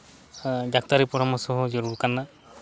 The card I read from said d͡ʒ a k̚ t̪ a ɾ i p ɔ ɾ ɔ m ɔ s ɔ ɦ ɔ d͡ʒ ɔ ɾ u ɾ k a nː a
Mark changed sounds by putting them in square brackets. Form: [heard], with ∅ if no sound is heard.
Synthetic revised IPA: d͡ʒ a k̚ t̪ a ɾ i p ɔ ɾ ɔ m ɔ s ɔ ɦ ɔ d͡ʒ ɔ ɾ u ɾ k a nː a